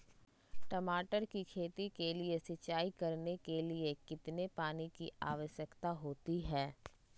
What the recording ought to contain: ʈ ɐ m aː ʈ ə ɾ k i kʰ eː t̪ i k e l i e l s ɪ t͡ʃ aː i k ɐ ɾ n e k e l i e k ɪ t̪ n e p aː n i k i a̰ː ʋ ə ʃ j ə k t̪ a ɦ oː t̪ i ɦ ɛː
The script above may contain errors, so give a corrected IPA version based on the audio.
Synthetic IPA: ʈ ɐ m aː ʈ ə ɾ k i kʰ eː t̪ i k e l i e s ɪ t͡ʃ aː i k ɐ ɾ n e k e l i e k ɪ t̪ n e p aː n i k i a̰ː ʋ ə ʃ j ə k t̪ a ɦ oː t̪ i ɦ ɛː